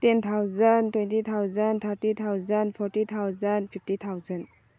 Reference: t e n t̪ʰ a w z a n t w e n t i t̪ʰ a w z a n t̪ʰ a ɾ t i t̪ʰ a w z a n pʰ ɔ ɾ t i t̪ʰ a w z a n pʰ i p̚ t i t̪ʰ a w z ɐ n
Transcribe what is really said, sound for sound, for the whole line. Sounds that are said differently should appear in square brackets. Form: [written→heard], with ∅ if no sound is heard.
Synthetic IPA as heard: t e n t̪ʰ a w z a n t w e n t i t̪ʰ a w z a n t̪ʰ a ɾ t i t̪ʰ a w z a n pʰ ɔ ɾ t i t̪ʰ a w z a n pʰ i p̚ t i t̪ʰ a w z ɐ n